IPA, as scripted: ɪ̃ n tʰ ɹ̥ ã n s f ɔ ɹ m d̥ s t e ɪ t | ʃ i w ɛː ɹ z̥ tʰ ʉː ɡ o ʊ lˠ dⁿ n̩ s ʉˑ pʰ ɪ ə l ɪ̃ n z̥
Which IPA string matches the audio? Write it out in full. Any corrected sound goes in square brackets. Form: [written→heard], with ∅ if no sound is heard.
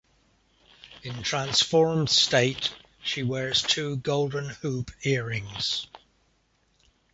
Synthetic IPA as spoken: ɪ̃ n tʰ ɹ̥ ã n s f ɔ ɹ m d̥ s t e ɪ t | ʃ i w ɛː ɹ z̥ tʰ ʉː ɡ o ʊ lˠ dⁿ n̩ [s→h] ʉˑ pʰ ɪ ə [l→ɹ] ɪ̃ [n→ŋ] z̥